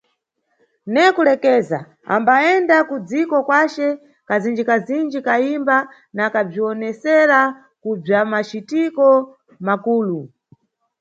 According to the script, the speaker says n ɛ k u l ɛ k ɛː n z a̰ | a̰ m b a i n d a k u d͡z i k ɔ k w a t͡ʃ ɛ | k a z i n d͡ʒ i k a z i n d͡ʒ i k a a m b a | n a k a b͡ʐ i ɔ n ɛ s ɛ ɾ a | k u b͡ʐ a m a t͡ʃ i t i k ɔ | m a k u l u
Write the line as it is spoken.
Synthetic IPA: n ɛ k u l ɛ k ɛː z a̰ | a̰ m b a ɛ n d a k u d͡z i k ɔ k w a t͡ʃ ɛ | k a z i n d͡ʒ i k a z i n d͡ʒ i k a i m b a | n a k a b͡ʐ i ɔ n ɛ s ɛ ɾ a | k u b͡ʐ a m a t͡ʃ i t i k ɔ | m a k uː l u

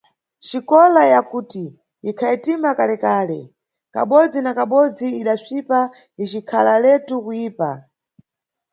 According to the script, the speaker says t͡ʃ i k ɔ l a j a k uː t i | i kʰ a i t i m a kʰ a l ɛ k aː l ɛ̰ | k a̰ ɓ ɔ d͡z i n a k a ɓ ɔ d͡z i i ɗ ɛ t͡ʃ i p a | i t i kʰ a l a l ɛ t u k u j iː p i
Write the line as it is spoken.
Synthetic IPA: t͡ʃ i k ɔ l a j a k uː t i | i kʰ a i t i m a k a l ɛ k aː l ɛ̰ | k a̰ ɓ ɔ d͡z i n a k a ɓ ɔ d͡z i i ɗ a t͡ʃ i p a | i t͡ʃ i kʰ a l a l ɛ t u k u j iː p a

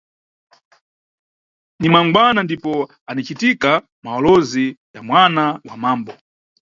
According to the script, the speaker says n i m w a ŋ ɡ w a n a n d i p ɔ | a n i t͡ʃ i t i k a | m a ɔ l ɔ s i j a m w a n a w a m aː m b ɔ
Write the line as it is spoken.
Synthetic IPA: n i m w a ŋ ɡ w a n a n d i p ɔ | a n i t͡ʃ i t i k a | m a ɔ l ɔ z i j a m w a n a w a m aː m b ɔ

